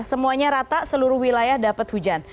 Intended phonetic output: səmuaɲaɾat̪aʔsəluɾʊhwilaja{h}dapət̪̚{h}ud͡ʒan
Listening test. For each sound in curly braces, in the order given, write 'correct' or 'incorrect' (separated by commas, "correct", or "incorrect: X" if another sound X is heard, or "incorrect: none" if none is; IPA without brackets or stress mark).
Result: correct, correct